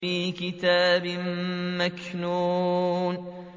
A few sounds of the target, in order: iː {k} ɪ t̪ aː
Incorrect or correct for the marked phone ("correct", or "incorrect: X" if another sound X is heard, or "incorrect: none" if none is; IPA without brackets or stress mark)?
correct